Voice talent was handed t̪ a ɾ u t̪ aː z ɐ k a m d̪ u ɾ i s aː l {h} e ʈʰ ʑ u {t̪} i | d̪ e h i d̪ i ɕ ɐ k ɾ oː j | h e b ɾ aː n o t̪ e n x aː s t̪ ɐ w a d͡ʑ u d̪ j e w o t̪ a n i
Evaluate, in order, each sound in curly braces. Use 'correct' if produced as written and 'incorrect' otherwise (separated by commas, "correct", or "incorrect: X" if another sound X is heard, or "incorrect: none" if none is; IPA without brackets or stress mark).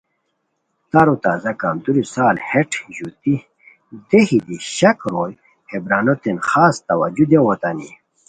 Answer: correct, correct